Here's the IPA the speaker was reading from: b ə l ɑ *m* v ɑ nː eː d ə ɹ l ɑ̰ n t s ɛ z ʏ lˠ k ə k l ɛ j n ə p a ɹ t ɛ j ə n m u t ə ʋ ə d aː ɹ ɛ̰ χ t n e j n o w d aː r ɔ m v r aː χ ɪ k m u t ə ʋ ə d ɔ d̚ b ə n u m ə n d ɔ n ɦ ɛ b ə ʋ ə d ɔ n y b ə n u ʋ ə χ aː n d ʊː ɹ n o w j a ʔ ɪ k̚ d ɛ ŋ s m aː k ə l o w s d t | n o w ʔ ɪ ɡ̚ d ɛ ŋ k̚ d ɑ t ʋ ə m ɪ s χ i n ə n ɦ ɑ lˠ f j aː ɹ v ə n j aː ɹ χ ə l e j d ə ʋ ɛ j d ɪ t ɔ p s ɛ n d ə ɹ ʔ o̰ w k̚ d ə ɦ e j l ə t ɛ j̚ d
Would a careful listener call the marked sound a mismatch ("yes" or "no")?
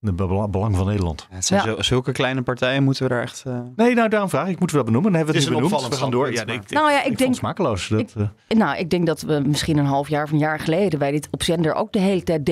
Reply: yes